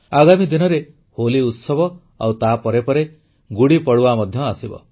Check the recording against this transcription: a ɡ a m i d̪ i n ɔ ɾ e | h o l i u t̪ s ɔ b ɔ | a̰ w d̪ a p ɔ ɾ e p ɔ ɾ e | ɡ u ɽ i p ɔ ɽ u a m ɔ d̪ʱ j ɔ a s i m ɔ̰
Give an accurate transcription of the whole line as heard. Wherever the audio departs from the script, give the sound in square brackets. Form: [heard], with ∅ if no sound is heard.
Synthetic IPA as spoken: a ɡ a m i d̪ i n ɔ ɾ e | h o l i u t̪ s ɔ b ɔ | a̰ w [t̪] a p ɔ ɾ e p ɔ ɾ e | ɡ u ɽ i p ɔ ɽ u a m ɔ d̪ʱ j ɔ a s i [b] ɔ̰